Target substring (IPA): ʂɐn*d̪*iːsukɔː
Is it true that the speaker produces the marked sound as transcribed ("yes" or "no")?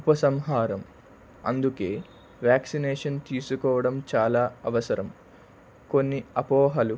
no